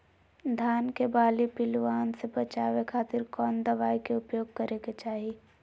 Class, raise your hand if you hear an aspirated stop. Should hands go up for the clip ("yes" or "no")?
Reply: yes